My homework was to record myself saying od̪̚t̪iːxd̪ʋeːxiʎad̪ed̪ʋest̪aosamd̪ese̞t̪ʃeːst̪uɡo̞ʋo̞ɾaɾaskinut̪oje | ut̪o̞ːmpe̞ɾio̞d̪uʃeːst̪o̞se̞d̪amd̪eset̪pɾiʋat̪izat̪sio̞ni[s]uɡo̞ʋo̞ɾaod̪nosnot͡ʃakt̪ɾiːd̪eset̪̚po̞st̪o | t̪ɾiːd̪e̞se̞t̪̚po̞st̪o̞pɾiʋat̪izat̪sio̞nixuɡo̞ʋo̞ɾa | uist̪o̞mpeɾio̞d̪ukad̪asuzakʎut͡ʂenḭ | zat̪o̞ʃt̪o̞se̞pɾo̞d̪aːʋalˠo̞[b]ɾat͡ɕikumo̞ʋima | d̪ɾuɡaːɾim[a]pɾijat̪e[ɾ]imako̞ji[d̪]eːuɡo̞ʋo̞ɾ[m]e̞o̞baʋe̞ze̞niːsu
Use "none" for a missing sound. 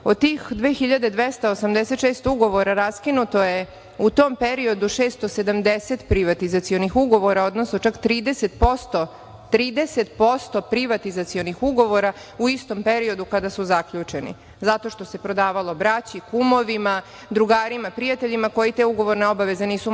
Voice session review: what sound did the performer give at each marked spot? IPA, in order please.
x, b, a, ʎ, t̪, n

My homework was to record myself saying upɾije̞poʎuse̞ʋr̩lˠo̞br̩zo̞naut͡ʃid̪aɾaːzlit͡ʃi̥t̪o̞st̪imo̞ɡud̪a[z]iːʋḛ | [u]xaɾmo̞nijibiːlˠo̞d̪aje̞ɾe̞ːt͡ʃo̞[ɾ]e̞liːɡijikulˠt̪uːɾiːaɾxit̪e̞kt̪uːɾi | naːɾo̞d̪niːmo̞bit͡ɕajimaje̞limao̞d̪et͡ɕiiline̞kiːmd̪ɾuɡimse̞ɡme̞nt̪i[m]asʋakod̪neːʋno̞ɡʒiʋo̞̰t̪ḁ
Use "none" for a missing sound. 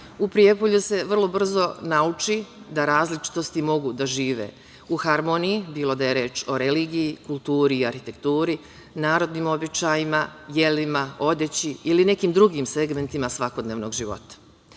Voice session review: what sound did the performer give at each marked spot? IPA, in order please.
ʒ, u, ɾ, m

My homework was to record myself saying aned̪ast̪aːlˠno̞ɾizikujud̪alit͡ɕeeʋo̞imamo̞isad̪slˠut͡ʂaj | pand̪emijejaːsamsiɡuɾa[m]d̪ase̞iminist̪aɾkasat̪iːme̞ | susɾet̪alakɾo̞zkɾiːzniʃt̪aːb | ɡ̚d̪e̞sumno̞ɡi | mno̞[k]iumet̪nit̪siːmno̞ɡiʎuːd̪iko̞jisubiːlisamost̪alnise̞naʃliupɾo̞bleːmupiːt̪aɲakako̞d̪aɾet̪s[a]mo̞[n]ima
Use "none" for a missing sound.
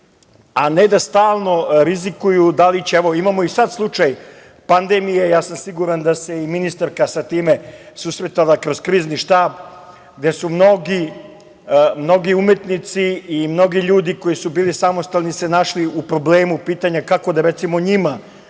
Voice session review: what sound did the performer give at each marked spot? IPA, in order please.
n, ɡ, i, ɲ

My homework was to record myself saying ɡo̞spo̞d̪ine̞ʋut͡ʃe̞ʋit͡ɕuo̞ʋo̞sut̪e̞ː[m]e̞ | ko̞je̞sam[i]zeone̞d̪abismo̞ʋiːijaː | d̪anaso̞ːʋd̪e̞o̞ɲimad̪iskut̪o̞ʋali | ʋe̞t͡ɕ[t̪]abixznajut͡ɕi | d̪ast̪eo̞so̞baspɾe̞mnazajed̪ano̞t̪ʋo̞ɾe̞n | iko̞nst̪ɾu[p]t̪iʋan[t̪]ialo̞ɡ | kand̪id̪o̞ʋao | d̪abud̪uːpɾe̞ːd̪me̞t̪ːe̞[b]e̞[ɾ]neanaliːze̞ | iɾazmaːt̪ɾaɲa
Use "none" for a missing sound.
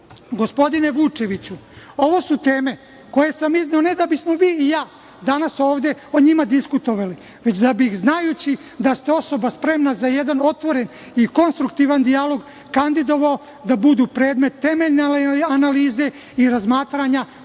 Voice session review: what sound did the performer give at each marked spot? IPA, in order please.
m, i, d̪, k, d̪, m, ʎ

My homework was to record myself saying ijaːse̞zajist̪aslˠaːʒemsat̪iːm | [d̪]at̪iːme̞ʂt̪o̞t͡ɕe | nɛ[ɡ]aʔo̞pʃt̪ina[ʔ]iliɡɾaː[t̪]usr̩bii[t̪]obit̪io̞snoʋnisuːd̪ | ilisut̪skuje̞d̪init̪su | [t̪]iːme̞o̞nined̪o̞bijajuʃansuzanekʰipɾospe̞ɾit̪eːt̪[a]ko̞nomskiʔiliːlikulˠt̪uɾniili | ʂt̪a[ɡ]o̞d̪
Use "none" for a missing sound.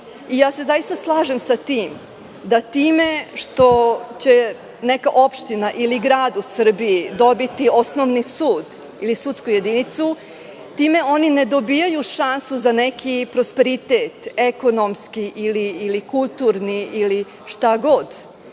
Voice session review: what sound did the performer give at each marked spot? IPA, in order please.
d̪, k, ʔ, d̪, d̪, t̪, e, ɡ

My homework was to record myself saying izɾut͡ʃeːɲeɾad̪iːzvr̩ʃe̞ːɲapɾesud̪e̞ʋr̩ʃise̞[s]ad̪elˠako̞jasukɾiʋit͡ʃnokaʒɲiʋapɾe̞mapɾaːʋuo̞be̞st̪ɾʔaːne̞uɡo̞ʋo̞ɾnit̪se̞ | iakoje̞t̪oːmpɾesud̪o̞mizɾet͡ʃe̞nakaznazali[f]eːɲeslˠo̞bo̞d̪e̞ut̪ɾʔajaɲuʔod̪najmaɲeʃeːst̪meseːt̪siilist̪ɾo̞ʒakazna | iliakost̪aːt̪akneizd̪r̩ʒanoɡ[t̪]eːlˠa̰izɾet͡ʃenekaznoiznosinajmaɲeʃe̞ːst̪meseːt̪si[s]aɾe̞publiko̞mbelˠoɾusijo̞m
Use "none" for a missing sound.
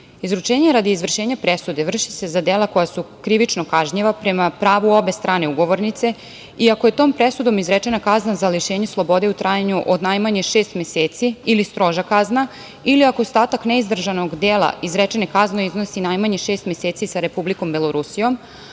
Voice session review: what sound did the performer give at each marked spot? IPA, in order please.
z, ʃ, d̪, s

